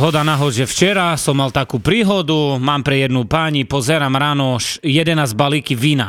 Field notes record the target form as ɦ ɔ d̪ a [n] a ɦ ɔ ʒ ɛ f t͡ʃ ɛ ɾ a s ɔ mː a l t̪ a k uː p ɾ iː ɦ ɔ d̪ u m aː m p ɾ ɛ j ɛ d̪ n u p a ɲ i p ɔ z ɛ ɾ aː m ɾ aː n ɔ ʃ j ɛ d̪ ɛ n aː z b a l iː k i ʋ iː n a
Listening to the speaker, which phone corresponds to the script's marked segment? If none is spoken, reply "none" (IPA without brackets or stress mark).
n